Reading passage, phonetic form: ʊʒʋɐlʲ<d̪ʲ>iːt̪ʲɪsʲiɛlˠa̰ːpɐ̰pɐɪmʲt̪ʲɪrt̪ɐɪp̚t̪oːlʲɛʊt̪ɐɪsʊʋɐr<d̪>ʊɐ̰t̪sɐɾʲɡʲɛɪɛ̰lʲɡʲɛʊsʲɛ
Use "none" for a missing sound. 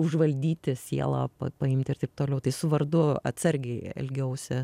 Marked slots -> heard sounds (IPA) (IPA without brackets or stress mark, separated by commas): d̪ʲ, d̪